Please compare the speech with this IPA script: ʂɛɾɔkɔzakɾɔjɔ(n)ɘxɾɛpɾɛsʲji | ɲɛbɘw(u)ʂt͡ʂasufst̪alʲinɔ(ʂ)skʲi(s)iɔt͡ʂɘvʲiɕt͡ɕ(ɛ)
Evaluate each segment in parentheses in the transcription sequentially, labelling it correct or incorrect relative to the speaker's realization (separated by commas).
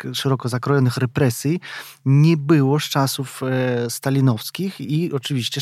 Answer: correct, incorrect, incorrect, incorrect, correct